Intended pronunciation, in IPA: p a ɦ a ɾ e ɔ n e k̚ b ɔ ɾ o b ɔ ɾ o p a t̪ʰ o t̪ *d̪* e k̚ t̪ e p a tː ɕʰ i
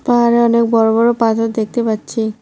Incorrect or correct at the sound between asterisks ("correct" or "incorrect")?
correct